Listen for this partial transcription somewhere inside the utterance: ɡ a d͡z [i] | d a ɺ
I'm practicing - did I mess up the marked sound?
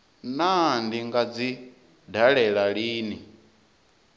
no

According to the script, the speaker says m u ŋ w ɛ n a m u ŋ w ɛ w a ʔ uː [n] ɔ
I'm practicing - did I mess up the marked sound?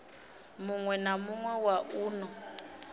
no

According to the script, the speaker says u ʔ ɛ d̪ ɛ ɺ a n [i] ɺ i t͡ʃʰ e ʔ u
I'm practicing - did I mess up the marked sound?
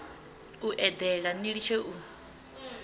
no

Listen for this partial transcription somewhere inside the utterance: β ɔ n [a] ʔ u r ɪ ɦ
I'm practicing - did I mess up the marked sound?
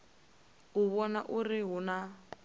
no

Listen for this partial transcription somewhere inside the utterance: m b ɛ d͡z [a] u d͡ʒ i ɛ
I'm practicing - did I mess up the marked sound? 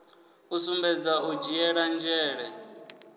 no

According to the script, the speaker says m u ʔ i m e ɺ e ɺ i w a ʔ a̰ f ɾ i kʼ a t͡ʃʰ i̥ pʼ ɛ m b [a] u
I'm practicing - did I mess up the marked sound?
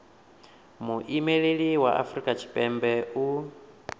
yes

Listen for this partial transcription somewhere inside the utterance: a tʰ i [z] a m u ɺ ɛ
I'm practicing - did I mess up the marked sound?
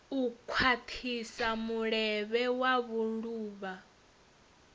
yes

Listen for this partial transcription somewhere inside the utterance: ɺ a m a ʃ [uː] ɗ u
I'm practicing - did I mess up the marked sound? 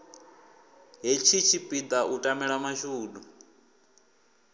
no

